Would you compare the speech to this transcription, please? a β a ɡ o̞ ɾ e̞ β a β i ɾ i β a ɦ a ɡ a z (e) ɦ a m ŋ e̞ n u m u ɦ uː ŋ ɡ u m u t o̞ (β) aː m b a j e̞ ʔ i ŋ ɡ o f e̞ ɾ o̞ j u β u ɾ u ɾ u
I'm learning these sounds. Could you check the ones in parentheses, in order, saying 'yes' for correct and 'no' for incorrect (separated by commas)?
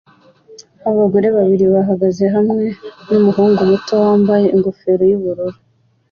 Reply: yes, no